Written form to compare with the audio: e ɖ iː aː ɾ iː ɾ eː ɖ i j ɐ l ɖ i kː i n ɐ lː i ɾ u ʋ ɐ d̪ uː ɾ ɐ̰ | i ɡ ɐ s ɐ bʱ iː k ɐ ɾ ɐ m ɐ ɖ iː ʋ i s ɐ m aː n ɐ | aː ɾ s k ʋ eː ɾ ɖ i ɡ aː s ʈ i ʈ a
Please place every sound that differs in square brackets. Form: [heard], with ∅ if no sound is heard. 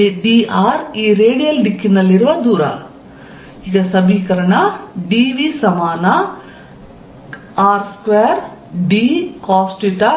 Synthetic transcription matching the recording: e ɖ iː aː ɾ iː ɾ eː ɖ i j ɐ l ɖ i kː i n ɐ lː i ɾ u ʋ ɐ d̪ uː ɾ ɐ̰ | i ɡ ɐ s ɐ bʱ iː k ɐ ɾ ɐ [ɳ] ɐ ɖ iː ʋ i s ɐ m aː n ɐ | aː ɾ s k ʋ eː ɾ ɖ i [k] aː s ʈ i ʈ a